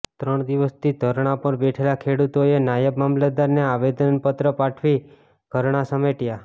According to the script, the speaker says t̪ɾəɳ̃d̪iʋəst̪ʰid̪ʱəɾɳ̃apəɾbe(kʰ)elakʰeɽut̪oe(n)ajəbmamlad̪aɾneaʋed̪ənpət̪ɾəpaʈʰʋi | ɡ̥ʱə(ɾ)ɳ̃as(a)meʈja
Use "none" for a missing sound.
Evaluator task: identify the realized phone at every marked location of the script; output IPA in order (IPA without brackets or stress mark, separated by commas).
ʈʰ, n, ɾ, ə